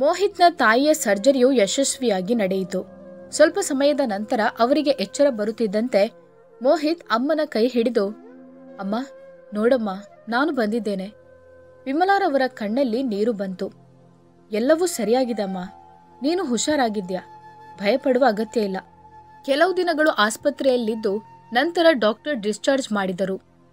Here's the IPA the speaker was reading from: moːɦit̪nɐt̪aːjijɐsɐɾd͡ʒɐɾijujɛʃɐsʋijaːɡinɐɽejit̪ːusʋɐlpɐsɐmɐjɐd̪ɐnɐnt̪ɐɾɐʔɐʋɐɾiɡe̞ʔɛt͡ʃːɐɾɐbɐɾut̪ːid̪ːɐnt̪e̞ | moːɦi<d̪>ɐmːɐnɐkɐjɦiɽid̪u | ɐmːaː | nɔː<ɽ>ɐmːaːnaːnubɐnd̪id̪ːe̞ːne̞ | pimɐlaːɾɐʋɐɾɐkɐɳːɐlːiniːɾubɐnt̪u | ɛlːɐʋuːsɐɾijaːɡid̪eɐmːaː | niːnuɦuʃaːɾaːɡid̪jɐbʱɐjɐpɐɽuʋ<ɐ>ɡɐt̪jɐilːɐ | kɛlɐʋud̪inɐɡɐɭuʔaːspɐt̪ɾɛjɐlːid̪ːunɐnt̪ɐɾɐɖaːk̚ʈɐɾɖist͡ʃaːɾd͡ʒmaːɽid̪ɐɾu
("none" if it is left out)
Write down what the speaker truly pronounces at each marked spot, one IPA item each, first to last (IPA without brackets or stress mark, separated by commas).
t̪, ɽ, ɐː